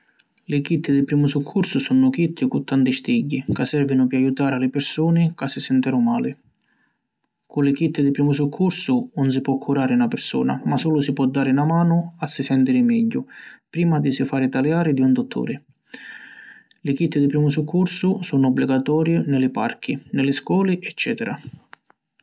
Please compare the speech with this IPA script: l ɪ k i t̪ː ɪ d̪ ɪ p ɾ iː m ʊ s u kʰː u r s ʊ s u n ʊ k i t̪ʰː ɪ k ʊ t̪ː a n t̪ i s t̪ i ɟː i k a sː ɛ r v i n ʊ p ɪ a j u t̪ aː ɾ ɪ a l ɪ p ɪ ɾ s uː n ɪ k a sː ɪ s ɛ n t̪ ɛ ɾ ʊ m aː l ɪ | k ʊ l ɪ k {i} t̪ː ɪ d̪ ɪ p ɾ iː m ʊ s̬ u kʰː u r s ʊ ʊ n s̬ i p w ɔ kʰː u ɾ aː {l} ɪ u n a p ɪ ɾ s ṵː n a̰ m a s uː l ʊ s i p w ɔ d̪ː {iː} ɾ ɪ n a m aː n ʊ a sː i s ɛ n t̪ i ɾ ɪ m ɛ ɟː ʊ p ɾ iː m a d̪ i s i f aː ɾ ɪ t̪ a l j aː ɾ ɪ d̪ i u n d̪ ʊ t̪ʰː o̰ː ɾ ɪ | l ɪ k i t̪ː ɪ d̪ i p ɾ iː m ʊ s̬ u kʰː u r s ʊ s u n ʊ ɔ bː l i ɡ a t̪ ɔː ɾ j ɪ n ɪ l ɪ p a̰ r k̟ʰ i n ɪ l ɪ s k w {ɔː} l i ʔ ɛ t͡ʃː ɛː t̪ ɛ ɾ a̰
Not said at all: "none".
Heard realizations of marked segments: i, ɾ, aː, ɔː

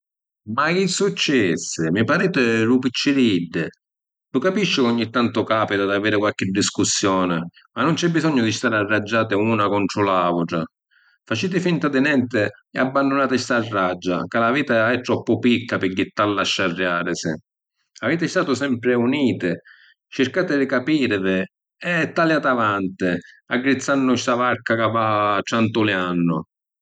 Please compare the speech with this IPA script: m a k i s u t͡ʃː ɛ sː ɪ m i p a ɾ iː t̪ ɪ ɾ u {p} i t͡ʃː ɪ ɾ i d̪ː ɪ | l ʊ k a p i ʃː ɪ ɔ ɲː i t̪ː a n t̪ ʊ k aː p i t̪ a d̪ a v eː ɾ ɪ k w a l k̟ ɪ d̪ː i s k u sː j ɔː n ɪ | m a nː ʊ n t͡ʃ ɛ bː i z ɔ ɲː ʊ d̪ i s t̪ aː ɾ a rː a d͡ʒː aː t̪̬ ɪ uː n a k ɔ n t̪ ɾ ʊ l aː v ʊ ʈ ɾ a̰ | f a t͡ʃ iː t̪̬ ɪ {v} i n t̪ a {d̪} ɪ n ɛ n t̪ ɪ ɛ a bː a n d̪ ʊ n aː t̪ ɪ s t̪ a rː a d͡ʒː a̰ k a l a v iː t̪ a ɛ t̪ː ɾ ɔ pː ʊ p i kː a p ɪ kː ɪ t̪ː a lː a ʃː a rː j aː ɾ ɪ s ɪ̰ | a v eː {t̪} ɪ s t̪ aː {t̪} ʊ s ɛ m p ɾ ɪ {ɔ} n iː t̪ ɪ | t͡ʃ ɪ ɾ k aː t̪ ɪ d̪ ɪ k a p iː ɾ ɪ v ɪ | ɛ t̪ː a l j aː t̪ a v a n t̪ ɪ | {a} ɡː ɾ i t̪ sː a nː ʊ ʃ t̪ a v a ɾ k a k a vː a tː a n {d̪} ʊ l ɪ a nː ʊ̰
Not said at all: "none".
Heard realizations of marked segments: p, f, d̪, t̪, t̪, u, a, t̪

